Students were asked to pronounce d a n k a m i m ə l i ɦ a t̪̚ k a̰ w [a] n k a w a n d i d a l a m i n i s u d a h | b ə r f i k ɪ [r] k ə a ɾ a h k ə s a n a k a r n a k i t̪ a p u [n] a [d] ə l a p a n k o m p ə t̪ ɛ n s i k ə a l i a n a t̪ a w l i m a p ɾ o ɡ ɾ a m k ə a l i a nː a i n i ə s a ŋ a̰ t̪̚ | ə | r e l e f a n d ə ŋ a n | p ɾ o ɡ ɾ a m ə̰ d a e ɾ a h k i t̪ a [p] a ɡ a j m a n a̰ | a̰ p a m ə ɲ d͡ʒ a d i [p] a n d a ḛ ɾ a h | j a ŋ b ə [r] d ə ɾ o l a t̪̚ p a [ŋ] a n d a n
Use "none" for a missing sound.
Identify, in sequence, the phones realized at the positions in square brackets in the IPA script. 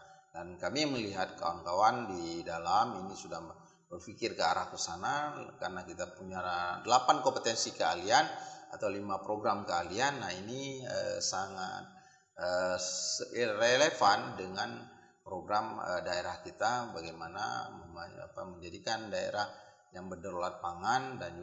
a, r, ɲ, d, b, k, r, ŋ

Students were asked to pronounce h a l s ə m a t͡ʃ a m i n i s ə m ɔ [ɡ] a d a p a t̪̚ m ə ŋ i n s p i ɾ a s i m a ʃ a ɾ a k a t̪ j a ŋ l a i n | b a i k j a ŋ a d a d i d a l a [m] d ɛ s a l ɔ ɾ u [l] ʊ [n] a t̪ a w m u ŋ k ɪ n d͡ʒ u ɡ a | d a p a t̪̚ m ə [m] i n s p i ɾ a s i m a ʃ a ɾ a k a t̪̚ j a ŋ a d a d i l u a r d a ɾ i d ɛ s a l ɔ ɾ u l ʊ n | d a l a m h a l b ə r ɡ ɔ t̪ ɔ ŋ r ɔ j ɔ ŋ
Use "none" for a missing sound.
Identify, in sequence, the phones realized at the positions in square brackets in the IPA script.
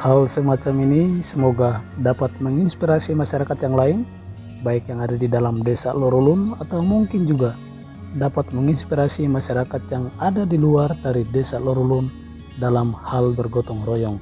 ɡ, m, l, n, ŋ

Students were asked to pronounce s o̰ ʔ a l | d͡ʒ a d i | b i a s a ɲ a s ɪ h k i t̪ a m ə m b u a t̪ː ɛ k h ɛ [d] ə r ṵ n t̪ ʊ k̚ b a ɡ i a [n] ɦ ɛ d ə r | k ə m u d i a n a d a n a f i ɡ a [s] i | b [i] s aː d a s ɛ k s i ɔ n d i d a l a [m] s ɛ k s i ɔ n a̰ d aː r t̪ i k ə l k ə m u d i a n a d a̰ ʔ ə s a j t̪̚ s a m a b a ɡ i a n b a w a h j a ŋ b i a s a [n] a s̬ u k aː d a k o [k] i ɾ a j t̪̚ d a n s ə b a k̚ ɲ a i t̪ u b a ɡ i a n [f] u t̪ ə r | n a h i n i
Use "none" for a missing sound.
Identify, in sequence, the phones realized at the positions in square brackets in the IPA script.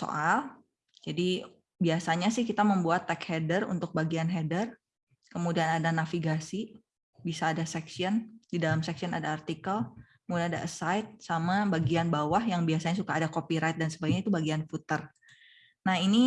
d, n, s, i, m, ɲ, p, f

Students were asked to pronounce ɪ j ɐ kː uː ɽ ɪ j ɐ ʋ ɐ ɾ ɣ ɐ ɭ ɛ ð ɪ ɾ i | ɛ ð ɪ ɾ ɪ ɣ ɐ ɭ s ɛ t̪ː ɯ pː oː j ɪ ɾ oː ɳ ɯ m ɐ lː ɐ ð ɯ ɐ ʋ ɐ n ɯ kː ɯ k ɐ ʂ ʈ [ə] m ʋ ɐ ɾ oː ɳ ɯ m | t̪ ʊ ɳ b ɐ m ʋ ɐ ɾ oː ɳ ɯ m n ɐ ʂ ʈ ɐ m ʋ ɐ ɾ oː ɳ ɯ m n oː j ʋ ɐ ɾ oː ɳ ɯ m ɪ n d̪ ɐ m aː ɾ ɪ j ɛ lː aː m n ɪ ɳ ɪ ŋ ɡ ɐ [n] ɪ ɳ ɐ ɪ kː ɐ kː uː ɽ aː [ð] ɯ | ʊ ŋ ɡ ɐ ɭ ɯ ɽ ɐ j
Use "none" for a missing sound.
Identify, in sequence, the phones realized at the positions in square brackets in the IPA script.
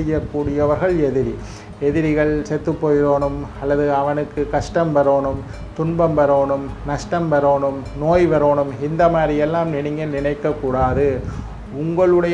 ɐ, n, ð

